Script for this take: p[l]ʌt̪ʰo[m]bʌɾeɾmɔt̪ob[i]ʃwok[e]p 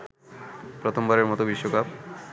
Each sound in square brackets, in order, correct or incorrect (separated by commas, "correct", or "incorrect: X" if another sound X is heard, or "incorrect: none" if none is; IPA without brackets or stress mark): incorrect: ɾ, correct, correct, incorrect: a